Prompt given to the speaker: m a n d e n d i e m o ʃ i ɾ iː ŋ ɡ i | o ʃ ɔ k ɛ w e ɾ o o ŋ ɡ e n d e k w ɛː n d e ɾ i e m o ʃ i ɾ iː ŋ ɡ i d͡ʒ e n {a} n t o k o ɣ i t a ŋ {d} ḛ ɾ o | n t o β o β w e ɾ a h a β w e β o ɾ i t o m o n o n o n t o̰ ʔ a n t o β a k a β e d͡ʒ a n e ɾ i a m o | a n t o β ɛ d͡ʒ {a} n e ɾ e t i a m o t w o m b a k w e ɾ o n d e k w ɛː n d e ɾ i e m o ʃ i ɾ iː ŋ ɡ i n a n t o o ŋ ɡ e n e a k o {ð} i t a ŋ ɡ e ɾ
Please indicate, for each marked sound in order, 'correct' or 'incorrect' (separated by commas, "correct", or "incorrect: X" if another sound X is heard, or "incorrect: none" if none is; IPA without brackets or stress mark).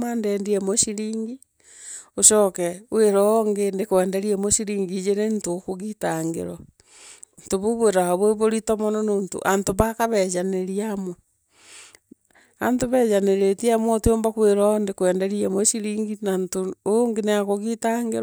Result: incorrect: e, incorrect: ɡ, correct, incorrect: ɣ